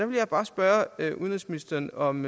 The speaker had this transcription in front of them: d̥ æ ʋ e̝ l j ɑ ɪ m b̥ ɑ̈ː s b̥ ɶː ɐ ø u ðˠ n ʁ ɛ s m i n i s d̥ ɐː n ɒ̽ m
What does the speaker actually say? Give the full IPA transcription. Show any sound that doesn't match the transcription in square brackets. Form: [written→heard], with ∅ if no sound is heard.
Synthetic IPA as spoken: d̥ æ ʋ e̝ l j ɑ ɪ [m→∅] b̥ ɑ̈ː s b̥ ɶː ɐ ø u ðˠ n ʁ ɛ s m i n i s d̥ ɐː n ɒ̽ m